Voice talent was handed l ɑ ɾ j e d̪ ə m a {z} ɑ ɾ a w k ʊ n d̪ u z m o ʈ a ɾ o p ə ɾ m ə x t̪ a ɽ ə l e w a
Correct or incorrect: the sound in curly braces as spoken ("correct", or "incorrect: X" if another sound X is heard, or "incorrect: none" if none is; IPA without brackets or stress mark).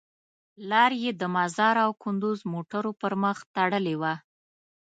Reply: correct